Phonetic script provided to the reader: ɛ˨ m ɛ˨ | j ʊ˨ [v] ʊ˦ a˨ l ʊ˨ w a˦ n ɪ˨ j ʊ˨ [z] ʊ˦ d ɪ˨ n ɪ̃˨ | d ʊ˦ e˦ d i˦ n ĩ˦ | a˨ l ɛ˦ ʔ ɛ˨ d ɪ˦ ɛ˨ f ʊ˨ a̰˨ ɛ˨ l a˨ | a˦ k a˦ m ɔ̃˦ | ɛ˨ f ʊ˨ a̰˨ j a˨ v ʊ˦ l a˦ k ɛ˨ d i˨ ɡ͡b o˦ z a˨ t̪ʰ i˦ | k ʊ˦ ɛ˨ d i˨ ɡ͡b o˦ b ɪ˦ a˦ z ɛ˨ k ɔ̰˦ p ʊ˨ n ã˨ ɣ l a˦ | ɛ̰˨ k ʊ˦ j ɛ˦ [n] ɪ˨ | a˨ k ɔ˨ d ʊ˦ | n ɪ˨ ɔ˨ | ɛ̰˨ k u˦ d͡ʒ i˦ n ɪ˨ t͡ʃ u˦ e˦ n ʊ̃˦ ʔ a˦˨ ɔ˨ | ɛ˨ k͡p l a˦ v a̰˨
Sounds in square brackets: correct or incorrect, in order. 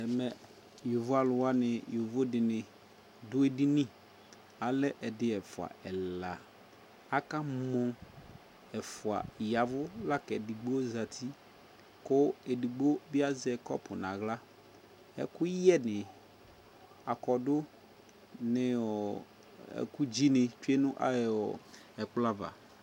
correct, incorrect: v, correct

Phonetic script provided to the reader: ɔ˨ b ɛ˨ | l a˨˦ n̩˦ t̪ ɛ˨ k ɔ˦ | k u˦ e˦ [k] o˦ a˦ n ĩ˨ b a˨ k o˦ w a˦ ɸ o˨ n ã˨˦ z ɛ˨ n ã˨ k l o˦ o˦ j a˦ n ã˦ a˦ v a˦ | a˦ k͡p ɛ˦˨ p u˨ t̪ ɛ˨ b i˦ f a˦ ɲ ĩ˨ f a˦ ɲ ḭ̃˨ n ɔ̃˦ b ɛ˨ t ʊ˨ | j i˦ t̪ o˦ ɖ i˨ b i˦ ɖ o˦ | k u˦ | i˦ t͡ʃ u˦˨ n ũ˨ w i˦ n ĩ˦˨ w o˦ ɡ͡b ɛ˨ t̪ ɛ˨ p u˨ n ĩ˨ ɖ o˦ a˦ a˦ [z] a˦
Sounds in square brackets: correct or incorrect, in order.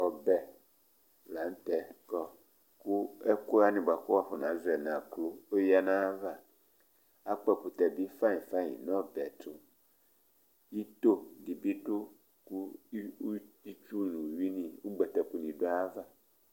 correct, incorrect: v

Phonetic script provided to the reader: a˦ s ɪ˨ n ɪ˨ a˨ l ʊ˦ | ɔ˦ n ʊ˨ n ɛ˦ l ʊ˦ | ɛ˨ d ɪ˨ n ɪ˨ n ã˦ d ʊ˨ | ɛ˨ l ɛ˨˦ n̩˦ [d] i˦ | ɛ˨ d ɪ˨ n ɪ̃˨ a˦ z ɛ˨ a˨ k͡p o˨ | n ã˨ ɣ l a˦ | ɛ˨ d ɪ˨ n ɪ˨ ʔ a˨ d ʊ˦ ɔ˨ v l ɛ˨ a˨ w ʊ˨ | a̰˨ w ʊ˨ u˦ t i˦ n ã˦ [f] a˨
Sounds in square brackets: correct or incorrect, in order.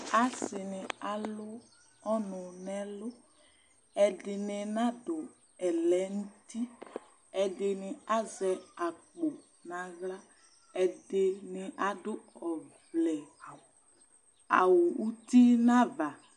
incorrect: t, incorrect: v

